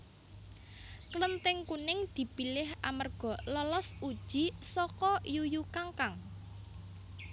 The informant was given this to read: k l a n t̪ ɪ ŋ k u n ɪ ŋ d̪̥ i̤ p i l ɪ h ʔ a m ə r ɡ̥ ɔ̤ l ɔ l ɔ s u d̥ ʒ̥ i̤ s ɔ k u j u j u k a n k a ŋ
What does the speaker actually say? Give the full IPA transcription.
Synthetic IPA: k l ə n t̪ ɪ ŋ k u n ɪ ŋ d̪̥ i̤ p i l ɪ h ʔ a m ə r ɡ̥ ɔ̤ l ɔ l ɔ s u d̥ ʒ̥ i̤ s ɔ k ɔ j u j u k a ŋ k a ŋ